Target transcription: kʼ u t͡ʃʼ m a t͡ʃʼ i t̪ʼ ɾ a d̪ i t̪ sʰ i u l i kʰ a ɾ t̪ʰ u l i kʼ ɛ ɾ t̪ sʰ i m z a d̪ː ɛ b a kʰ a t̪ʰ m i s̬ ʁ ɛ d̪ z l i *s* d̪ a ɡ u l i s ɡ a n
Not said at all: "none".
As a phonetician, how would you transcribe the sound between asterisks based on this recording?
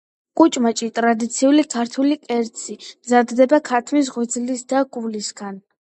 s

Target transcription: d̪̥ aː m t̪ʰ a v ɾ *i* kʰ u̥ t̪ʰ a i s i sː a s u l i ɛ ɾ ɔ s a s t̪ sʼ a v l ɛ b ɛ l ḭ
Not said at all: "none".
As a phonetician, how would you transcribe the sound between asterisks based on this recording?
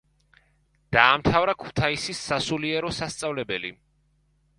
a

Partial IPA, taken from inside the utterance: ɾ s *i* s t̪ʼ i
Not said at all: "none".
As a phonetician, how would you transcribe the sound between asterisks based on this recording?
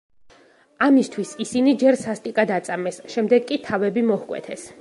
a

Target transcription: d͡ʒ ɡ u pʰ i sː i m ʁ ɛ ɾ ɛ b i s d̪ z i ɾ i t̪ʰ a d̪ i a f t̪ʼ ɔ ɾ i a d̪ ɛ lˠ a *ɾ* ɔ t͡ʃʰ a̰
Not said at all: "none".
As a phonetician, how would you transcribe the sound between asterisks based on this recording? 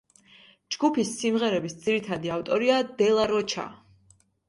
ɾ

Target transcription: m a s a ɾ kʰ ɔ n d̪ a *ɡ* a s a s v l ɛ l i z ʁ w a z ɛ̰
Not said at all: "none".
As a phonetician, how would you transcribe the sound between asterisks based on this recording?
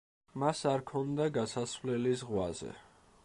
ɡ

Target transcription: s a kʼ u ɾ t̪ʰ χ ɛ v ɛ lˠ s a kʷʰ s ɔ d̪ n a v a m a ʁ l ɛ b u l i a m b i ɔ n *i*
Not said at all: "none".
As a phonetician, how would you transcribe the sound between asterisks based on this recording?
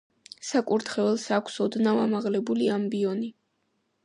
i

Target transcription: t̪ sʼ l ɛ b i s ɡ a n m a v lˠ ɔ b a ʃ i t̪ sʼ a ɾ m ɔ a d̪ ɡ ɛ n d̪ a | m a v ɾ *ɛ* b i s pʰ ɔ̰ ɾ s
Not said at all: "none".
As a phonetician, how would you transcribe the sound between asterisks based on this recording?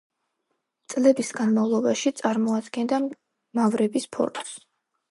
ɛ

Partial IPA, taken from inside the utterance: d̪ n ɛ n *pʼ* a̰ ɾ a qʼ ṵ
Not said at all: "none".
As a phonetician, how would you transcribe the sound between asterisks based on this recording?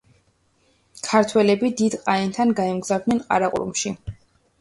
qʼ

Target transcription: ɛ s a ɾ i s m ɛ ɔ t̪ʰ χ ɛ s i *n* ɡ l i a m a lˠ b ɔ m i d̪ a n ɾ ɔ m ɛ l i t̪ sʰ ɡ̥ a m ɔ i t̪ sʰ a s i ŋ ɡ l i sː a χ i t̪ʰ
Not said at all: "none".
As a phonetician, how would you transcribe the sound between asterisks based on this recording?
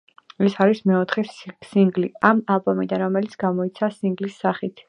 ŋ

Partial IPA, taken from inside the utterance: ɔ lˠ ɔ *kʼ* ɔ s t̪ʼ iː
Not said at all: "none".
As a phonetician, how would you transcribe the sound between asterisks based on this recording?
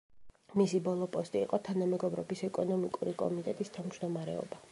pʼ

